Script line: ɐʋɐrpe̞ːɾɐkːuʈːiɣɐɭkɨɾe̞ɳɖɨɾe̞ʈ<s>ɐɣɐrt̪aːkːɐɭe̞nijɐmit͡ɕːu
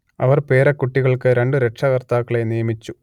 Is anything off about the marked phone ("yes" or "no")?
yes